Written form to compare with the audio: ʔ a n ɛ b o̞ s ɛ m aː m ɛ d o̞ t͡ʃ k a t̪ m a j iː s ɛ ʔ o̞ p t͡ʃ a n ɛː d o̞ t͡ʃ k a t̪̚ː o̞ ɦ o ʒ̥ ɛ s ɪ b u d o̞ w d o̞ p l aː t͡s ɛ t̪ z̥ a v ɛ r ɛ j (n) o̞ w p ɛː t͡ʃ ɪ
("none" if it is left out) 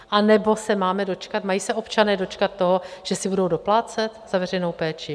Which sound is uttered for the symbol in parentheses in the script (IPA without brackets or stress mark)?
n